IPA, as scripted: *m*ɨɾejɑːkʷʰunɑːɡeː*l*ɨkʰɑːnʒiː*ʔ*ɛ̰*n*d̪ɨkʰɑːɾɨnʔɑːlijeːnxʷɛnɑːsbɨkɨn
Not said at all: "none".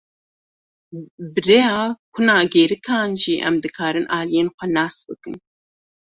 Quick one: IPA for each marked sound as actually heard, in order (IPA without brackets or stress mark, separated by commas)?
b, ɾ, ʔ, m